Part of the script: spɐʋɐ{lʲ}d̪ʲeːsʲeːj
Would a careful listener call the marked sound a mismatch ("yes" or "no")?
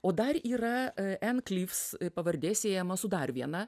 yes